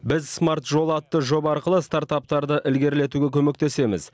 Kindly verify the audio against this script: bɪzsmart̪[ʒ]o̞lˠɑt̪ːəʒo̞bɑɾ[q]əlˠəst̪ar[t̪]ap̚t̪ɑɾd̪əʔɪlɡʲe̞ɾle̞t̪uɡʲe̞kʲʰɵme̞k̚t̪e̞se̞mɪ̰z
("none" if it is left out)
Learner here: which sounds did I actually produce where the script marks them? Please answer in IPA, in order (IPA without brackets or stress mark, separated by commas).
ʒ, q, t̪